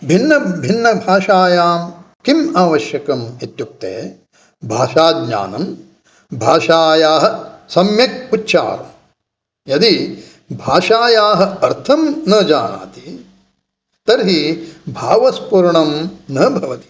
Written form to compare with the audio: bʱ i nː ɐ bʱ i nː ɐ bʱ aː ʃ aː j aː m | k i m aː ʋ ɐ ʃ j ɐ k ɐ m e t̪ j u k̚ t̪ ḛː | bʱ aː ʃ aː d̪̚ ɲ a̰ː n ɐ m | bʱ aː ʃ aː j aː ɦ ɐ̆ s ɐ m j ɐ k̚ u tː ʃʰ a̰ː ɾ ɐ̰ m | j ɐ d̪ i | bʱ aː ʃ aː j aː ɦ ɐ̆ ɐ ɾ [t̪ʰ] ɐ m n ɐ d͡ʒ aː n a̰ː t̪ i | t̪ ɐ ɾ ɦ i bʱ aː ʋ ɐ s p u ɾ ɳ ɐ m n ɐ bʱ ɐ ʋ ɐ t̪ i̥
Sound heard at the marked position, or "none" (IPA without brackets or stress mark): t̪ʰ